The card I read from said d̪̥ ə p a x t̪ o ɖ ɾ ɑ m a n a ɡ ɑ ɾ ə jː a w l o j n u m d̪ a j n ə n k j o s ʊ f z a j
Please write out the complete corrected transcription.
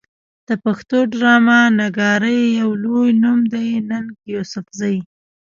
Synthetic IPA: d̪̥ ə p a x t̪ o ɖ ɾ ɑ m a n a ɡ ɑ ɾ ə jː a w l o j n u m d̪ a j n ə n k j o s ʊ f z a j